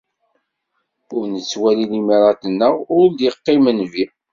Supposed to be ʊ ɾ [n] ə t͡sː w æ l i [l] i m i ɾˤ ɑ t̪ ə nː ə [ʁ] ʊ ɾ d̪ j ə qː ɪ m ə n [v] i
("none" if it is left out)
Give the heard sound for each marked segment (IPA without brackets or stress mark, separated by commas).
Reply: n, l, ʁ, v